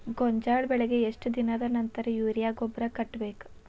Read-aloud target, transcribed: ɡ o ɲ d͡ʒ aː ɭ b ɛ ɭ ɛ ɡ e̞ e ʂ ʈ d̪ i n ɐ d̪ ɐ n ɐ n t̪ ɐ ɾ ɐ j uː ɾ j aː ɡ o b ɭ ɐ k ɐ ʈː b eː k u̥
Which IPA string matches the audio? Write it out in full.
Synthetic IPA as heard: ɡ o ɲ d͡ʒ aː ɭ b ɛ ɭ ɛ ɡ e̞ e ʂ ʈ d̪ i n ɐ d̪ ɐ n ɐ n t̪ ɐ ɾ ɐ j uː ɾ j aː ɡ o b ɾ ɐ k ɐ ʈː b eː k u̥